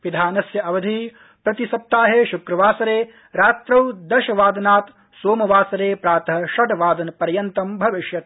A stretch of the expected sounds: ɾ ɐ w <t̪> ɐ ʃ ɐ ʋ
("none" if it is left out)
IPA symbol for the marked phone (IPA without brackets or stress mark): d̪